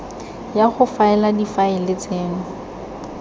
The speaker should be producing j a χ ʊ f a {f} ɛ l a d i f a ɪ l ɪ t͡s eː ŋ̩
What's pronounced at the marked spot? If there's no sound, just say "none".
none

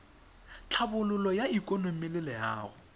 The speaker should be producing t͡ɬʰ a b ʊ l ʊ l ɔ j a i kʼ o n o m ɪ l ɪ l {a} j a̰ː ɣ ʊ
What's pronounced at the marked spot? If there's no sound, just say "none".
ɛ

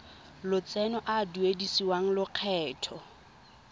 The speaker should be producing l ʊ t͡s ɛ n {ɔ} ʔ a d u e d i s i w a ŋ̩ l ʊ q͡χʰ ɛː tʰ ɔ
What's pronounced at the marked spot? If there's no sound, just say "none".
ɔ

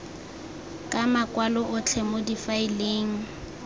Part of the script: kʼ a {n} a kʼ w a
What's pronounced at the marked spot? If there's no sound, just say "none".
m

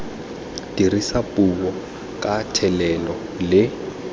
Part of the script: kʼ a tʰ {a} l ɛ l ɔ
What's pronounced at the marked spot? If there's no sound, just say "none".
ɛ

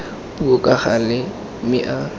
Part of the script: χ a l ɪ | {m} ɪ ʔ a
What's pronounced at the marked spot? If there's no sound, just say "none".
m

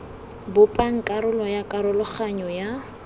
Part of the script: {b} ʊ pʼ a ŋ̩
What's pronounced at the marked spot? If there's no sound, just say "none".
b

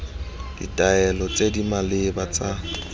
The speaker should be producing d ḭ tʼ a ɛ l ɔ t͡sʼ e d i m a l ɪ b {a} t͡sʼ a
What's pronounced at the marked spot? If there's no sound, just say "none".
a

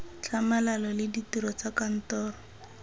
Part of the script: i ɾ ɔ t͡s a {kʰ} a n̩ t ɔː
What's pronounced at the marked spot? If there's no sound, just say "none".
k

